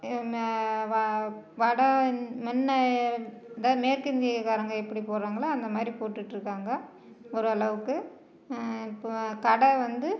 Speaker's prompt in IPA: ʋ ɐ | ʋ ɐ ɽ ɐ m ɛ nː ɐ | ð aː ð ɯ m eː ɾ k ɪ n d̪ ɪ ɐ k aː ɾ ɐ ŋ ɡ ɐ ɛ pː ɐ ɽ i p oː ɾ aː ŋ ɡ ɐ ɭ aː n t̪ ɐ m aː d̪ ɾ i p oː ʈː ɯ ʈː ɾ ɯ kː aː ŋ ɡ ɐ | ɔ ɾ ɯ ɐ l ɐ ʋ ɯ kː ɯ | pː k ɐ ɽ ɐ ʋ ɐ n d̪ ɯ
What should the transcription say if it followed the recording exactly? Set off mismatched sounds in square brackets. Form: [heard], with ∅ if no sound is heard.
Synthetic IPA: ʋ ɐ | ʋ ɐ ɽ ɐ m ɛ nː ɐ | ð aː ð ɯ m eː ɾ k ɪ n d̪ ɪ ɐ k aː ɾ ɐ ŋ ɡ ɐ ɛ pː ɐ ɽ i p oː ɾ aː ŋ ɡ ɐ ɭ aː n [d̪] ɐ m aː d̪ ɾ i p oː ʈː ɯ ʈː ɾ ɯ kː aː ŋ ɡ ɐ | ɔ ɾ ɯ ɐ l ɐ ʋ ɯ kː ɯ | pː k ɐ ɽ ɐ ʋ ɐ n d̪ ɯ